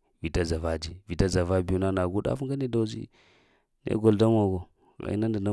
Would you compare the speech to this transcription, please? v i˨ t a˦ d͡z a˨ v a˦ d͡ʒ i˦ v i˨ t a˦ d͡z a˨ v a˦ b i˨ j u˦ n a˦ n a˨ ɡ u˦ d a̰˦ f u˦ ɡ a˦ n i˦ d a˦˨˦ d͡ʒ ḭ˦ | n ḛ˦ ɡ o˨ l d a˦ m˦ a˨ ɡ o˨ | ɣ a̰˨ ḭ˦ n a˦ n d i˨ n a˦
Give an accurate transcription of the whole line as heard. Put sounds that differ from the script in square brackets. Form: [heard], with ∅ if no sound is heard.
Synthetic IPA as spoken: v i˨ t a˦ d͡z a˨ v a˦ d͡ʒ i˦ v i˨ t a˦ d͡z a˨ v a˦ b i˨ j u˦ n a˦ n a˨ ɡ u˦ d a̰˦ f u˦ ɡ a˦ n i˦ d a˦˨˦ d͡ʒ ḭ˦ | n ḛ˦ ɡ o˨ l d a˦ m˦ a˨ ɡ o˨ | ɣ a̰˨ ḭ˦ n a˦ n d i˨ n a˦